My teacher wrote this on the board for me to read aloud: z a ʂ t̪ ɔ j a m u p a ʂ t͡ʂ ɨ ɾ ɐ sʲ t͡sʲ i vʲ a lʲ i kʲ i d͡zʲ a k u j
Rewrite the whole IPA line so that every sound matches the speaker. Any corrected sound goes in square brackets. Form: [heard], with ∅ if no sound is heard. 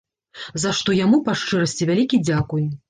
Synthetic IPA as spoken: z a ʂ t̪ ɔ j a m u p a ʂ t͡ʂ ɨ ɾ ɐ sʲ t͡sʲ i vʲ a lʲ i kʲ i d͡zʲ a k u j